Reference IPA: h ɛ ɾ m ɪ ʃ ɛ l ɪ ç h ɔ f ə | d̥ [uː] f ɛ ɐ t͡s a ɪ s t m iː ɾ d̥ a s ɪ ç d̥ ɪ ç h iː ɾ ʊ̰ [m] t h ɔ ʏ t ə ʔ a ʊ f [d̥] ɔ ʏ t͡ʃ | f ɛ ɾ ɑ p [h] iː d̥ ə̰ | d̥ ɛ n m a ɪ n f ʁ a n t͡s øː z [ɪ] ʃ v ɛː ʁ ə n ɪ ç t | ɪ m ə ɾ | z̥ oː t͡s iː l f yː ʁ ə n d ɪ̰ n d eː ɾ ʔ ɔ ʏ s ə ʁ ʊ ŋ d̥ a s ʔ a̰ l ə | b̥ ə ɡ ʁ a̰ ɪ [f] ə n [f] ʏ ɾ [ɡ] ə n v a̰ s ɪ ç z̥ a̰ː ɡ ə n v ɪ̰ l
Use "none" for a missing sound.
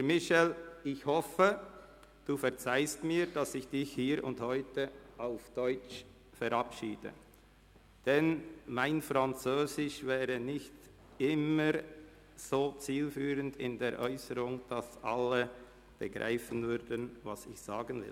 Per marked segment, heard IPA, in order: uː, n, d̥, ʃ, ɪ, f, v, d

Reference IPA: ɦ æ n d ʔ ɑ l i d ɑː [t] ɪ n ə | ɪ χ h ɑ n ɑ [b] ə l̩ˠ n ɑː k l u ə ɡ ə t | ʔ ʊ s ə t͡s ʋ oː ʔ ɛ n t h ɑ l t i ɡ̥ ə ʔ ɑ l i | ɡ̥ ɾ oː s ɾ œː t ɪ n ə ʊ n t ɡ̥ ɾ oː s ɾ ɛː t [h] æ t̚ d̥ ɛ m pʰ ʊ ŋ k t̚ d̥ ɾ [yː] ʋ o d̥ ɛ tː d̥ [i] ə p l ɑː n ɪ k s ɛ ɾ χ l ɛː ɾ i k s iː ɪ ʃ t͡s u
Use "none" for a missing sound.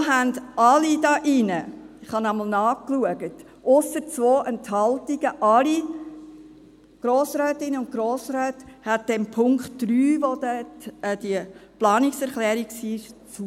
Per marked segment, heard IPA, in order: ʔ, m, h, yː, i

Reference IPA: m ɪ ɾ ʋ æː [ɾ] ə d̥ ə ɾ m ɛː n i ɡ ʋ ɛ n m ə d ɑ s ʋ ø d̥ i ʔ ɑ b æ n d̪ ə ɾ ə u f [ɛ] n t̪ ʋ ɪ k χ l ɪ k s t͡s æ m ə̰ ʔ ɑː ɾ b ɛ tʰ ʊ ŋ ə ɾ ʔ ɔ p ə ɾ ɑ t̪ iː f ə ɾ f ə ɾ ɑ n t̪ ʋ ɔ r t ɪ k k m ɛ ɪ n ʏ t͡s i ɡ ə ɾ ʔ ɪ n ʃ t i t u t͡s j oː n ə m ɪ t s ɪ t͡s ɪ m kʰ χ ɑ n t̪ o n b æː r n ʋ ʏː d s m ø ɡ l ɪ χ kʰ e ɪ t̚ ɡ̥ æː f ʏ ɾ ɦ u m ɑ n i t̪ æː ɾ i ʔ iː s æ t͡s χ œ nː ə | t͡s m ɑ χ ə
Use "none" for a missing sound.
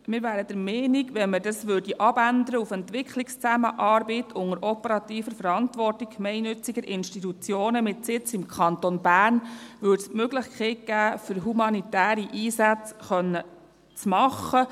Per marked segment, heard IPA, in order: ɾ, ɛ

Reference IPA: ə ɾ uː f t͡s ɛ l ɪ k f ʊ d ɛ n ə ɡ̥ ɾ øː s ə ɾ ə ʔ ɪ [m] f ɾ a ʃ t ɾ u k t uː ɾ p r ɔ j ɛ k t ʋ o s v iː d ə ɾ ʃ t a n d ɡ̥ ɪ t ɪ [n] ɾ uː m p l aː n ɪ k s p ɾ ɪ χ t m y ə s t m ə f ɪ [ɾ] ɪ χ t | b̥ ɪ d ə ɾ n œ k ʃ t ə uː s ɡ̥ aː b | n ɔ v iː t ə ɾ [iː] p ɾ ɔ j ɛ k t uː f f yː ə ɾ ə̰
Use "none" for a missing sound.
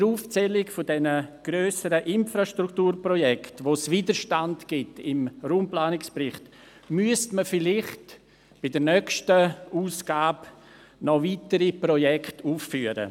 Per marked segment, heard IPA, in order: n, m, l, i

